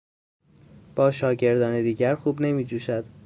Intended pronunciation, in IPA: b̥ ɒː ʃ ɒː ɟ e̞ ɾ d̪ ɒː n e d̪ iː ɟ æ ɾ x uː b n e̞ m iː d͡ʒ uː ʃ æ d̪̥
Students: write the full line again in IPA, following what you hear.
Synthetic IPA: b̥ ɒː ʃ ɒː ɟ e̞ ɾ d̪ ɒː n e d̪ iː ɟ æ ɾ x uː b n e̞ m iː d͡ʒ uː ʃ æ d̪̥